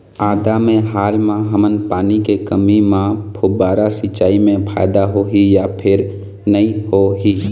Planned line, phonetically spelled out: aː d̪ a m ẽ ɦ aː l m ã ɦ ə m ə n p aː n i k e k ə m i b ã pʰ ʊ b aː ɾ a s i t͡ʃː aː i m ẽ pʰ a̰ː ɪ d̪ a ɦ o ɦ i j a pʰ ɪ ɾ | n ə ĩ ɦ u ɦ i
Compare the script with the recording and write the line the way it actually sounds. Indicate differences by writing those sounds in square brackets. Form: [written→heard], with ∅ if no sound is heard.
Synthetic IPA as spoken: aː d̪ a m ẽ ɦ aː l m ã ɦ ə m ə n p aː n i k e k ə m i [b→m] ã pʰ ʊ b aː ɾ a s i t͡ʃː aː i m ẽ pʰ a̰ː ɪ d̪ a ɦ o ɦ i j a pʰ ɪ ɾ | n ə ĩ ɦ [u→o] ɦ i